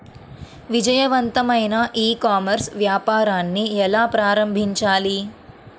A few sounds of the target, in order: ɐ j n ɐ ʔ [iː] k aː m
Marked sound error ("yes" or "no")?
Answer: no